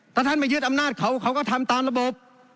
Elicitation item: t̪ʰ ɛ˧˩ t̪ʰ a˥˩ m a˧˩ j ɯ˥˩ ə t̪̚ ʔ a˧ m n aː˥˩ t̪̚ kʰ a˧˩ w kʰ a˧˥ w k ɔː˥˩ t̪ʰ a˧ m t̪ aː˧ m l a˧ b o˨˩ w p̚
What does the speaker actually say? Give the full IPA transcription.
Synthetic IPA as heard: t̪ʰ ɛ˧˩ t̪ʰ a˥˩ m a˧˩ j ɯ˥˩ ə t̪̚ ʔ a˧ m n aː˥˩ t̪̚ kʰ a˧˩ w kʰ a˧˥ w k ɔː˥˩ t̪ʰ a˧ m t̪ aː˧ m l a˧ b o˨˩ p̚

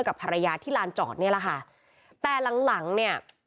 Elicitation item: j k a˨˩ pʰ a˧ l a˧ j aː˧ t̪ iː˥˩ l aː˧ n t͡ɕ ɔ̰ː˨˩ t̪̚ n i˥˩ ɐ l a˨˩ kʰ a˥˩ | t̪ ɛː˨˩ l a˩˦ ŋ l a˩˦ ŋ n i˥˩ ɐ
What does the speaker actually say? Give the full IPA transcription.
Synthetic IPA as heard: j k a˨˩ pʰ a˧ ɾ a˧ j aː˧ t̪ʰ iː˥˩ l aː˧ n t͡ɕ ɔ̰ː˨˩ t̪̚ n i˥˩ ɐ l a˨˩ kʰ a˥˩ | t̪ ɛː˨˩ l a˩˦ ŋ l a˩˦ ŋ n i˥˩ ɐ

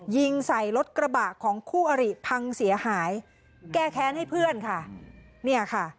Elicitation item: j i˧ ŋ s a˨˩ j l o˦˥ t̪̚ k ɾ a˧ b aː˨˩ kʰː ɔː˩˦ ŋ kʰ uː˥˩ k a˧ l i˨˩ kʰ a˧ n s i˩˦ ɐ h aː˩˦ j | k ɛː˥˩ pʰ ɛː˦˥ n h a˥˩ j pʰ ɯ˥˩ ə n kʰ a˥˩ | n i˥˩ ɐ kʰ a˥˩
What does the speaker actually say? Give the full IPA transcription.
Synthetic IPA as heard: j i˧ ŋ s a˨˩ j l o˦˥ t̪̚ k ɾ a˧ b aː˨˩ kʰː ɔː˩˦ ŋ kʰ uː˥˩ ʔ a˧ ɾ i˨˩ pʰ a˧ ŋ s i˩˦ ɐ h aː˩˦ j | k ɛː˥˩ kʰ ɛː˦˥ n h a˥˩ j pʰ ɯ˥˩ ə n kʰ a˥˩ | n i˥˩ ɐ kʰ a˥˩

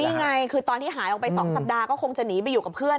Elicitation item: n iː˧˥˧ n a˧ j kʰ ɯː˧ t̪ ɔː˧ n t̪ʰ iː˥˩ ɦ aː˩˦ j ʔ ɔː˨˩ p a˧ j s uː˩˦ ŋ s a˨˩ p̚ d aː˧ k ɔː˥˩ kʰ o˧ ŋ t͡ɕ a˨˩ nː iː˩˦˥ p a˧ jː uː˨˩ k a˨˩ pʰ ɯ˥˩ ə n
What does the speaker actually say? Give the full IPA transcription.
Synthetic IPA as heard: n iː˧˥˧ ŋ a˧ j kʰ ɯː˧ t̪ ɔː˧ n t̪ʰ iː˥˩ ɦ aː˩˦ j ʔ ɔ˨˩ p a˧ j s ɔː˩˦ ŋ s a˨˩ p̚ d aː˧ k ɔː˥˩ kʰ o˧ ŋ t͡ɕ a˨˩ n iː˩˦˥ p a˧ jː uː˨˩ k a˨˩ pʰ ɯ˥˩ ə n

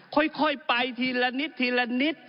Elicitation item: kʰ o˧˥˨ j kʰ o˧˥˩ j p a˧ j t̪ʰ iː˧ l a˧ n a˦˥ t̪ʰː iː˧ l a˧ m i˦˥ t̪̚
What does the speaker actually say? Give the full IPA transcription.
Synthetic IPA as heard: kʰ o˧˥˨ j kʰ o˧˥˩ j p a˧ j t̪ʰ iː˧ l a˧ n i˦˥ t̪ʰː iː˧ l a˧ n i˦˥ t̪̚

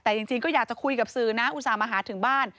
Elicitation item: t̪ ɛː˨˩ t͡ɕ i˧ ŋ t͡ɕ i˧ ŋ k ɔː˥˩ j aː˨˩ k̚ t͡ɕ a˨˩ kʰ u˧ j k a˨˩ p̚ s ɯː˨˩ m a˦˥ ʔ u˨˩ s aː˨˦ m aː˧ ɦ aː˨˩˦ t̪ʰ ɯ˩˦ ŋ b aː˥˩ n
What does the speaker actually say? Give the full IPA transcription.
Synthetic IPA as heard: t̪ ɛː˨˩ t͡ɕ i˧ ŋ t͡ɕ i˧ ŋ k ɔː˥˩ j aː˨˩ k̚ t͡ɕ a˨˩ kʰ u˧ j k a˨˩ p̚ s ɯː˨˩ n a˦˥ ʔ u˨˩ s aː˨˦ m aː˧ ɦ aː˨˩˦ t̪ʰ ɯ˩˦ ŋ b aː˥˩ n

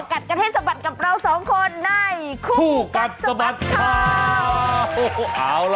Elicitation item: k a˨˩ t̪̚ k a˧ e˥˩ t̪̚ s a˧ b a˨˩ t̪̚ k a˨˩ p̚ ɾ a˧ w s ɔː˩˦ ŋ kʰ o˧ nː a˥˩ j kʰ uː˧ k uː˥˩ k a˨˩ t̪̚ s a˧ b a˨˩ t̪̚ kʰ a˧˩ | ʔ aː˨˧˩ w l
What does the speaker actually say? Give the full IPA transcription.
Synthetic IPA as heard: k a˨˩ t̪̚ k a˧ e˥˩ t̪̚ s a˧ b a˨˩ t̪̚ k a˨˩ p̚ ɾ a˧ w s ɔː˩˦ ŋ kʰ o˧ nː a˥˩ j kʰ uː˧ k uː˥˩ k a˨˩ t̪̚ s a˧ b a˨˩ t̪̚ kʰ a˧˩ | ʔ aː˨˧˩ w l

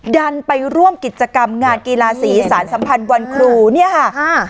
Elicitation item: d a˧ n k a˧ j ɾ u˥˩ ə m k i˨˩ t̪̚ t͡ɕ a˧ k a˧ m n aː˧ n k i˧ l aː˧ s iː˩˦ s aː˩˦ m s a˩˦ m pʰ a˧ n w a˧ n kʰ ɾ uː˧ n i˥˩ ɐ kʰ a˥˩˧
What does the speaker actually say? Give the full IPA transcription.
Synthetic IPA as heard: d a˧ n p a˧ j ɾ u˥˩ ə m k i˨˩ t̪̚ t͡ɕ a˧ k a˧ m ŋ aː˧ n k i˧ l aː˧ s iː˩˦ s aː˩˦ n s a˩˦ m pʰ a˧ n w a˧ n kʰ ɾ uː˧ n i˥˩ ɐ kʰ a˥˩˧

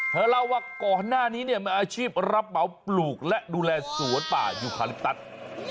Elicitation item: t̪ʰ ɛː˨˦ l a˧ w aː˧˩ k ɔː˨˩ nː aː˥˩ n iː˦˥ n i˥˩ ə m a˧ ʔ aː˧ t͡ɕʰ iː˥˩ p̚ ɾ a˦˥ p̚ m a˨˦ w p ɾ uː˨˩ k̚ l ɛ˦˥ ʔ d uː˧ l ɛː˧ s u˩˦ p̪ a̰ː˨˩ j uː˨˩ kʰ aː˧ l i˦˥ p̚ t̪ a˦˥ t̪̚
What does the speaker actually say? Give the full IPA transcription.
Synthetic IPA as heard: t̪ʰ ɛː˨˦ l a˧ w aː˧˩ k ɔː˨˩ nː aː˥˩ n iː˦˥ n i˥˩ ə m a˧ ʔ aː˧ t͡ɕʰ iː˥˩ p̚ ɾ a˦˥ p̚ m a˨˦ w p l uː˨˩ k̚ l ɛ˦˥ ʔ d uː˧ l ɛː˧ s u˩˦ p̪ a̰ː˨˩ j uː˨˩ kʰ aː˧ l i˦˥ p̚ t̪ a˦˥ t̪̚

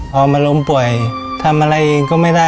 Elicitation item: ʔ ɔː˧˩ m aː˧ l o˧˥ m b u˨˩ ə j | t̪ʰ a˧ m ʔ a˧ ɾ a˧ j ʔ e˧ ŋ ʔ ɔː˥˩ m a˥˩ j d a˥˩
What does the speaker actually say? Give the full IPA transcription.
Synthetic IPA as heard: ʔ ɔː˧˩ m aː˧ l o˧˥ m p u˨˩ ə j | t̪ʰ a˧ m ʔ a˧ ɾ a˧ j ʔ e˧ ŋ k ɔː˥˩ m a˥˩ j d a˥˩

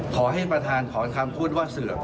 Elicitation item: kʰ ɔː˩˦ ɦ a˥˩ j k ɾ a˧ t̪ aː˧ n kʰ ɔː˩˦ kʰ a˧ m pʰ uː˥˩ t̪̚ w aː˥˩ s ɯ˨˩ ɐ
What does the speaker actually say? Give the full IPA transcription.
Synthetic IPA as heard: kʰ ɔː˩˦ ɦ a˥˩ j p ɾ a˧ t̪ʰ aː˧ n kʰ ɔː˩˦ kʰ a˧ m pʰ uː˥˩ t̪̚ w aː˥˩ s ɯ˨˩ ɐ

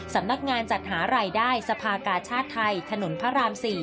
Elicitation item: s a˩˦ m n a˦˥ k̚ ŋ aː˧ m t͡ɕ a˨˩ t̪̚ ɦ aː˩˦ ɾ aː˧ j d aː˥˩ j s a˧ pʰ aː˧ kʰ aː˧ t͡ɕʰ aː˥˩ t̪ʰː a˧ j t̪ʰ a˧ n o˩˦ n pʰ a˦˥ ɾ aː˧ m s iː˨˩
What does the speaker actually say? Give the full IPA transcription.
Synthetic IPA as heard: s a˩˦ m n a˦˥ k̚ ŋ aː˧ n t͡ɕ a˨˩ t̪̚ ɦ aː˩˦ ɾ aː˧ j d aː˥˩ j s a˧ pʰ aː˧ k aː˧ t͡ɕʰ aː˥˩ t̪ʰː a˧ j t̪ʰ a˧ n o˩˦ n pʰ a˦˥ ɾ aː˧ m s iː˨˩

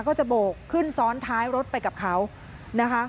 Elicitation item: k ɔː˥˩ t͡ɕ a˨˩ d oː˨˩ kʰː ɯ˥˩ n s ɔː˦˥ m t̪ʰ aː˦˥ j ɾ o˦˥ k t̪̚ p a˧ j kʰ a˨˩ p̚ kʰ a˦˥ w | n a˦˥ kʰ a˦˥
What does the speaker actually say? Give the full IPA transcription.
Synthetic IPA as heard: k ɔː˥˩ t͡ɕ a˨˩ b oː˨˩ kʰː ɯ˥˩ n s ɔː˦˥ n t̪ʰ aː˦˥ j ɾ o˦˥ t̪̚ p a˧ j k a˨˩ p̚ kʰ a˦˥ w | n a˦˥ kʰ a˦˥

